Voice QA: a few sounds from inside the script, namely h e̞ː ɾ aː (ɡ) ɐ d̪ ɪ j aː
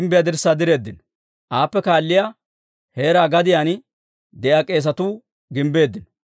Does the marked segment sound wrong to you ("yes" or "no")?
no